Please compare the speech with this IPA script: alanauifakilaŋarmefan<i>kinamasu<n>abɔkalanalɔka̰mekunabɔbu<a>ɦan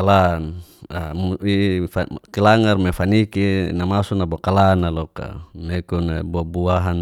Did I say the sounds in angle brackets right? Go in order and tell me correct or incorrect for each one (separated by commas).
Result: correct, correct, correct